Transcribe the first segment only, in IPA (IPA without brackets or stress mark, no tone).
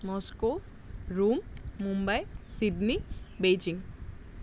m